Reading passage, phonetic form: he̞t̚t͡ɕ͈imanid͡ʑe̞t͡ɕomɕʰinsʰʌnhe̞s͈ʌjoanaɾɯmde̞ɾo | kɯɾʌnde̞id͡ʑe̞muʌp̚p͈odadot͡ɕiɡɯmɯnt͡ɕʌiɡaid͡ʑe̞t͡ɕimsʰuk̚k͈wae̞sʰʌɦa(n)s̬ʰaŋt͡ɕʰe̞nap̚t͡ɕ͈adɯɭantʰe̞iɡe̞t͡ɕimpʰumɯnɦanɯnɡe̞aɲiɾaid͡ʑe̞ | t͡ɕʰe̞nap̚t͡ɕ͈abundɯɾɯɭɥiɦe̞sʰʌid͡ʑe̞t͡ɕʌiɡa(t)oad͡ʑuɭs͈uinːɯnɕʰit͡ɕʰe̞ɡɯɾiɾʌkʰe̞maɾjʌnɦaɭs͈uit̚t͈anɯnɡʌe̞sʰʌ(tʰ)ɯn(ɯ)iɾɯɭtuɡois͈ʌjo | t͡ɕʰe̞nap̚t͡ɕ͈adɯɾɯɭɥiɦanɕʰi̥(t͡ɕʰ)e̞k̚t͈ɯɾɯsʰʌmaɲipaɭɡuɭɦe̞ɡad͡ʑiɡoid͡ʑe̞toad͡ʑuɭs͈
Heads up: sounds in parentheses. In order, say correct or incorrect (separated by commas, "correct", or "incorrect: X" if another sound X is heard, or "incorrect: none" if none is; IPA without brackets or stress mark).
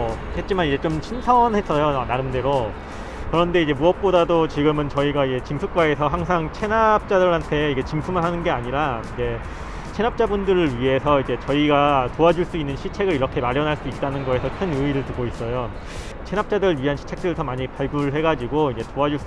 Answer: incorrect: ŋ, correct, incorrect: kʰ, correct, correct